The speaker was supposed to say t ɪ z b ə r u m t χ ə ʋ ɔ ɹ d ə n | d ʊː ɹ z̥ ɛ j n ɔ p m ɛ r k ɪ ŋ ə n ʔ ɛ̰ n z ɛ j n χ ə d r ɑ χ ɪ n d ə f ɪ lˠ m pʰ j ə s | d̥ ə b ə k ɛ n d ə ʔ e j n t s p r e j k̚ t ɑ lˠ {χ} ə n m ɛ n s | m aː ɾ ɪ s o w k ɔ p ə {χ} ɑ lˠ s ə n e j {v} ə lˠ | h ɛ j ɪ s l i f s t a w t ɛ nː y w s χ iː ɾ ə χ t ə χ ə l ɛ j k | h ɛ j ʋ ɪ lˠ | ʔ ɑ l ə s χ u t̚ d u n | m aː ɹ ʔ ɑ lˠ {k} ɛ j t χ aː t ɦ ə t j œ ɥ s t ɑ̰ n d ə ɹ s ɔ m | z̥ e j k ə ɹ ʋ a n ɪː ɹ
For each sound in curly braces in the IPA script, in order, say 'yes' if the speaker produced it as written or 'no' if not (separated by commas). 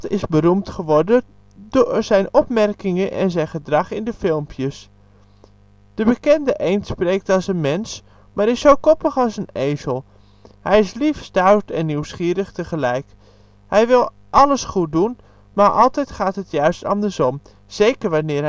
no, yes, no, no